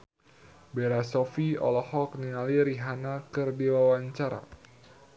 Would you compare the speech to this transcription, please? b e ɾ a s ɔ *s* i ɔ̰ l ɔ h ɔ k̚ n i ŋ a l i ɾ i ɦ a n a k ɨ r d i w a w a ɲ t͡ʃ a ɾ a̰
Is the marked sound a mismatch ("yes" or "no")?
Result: yes